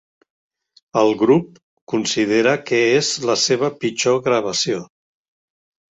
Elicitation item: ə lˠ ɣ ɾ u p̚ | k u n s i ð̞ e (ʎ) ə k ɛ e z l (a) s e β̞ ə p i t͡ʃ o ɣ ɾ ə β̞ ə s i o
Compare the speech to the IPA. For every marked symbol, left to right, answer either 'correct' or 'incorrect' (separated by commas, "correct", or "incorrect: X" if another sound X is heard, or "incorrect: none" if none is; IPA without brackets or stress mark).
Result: incorrect: ɾ, incorrect: ə